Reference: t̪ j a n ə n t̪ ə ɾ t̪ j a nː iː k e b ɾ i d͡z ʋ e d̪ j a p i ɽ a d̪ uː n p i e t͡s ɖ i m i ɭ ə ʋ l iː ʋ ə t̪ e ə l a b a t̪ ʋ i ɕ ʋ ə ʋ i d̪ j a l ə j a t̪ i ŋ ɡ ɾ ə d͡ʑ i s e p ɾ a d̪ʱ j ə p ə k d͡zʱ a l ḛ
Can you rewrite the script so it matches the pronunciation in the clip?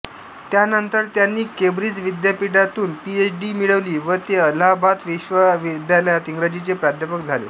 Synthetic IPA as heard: t̪ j a n ə n t̪ ə ɾ t̪ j a nː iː k e b ɾ i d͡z ʋ i d̪ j a p i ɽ a t̪ uː n p i e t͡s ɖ i m i ɭ ə ʋ l iː ʋ ə t̪ e ə l a b a t̪ ʋ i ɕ ʋ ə ʋ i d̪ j a l ə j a t̪ i ŋ ɡ ɾ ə d͡ʑ i t͡s e p ɾ a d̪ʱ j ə p ə k d͡zʱ a l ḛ